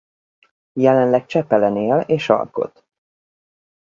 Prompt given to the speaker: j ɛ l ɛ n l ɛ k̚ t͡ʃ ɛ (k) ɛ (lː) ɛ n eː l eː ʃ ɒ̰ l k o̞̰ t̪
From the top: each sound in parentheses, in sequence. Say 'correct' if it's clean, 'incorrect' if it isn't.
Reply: incorrect: p, incorrect: l

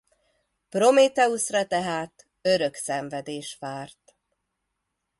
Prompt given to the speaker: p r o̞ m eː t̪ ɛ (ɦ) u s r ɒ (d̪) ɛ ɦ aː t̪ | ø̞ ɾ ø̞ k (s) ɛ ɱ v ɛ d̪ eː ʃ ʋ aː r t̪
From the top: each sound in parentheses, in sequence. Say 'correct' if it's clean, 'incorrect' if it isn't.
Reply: incorrect: none, incorrect: t̪, correct

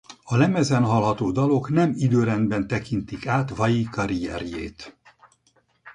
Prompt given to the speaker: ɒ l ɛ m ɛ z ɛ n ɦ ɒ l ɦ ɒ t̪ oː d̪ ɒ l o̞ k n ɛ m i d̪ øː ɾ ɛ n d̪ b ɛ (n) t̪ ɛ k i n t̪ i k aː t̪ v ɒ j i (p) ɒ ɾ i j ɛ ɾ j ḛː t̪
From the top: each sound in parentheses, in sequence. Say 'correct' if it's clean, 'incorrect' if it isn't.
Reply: correct, incorrect: k

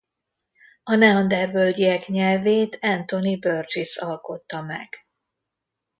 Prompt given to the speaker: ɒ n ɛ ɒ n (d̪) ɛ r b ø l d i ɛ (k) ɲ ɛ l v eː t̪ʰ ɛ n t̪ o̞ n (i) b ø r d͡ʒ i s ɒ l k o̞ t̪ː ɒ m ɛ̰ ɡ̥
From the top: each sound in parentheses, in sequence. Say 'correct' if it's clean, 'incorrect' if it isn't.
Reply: correct, correct, correct

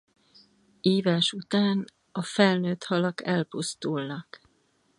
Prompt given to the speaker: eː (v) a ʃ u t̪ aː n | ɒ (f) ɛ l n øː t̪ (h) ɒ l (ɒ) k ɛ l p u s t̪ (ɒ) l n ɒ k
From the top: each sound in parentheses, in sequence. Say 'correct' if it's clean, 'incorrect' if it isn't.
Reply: correct, correct, correct, correct, incorrect: u

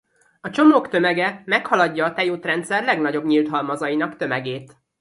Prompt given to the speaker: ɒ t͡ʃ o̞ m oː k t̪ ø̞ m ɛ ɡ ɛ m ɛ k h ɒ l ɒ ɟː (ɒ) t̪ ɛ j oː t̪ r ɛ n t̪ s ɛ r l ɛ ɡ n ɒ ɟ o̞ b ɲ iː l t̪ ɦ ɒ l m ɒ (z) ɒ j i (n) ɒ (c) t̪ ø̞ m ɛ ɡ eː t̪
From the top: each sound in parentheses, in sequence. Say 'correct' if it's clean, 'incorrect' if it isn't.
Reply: incorrect: ɒː, correct, correct, incorrect: k

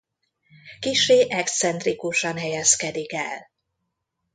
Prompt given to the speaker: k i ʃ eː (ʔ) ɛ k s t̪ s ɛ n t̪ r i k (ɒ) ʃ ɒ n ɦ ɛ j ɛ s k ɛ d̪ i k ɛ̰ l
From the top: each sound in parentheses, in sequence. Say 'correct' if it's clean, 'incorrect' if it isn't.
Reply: correct, incorrect: u

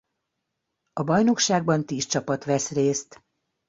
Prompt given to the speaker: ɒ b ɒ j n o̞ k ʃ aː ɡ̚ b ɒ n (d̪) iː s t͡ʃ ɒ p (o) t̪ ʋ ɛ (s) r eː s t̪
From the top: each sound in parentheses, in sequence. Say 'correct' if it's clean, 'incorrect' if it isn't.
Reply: incorrect: t̪, incorrect: ɒ, correct

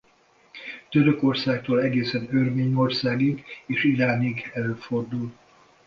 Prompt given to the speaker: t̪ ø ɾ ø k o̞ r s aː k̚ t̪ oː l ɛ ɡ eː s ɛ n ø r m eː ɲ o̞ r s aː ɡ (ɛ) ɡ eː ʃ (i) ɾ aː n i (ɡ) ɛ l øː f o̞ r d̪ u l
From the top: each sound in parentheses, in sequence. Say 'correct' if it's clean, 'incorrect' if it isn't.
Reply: incorrect: i, correct, correct

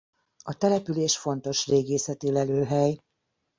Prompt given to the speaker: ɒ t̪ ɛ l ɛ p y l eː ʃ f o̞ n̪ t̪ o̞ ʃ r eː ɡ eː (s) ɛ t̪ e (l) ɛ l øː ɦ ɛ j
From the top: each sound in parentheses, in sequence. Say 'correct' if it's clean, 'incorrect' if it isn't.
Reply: correct, correct

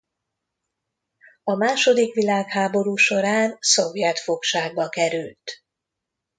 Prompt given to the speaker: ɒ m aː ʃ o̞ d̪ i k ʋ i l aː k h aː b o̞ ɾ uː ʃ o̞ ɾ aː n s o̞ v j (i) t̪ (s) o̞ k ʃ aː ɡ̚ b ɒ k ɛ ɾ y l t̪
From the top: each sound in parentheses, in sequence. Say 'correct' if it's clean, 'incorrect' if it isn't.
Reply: incorrect: ɛ, incorrect: f

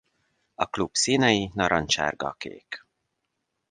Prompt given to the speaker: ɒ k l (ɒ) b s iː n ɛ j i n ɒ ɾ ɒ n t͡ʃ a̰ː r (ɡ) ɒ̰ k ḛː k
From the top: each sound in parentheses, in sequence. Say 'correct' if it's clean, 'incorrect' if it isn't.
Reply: incorrect: u, correct

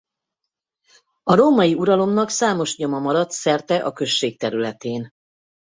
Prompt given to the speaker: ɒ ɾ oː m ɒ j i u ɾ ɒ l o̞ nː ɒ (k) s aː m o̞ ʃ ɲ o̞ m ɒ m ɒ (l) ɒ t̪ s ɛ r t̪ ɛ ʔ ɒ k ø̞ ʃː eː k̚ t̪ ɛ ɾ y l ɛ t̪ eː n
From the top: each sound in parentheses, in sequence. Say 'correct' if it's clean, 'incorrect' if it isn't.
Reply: correct, incorrect: ɾ

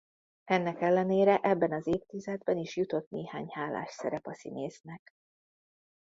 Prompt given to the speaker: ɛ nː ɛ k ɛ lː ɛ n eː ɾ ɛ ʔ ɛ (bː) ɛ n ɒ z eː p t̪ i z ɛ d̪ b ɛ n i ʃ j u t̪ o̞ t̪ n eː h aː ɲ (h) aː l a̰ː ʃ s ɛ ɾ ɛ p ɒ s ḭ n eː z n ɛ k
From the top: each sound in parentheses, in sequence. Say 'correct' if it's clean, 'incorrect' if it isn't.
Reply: correct, correct

